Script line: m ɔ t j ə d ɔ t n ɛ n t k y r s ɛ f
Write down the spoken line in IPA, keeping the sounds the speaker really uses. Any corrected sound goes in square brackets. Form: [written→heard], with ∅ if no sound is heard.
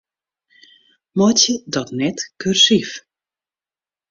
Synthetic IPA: m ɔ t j ə d ɔ t n ɛ [n→∅] t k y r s [ɛ→i] f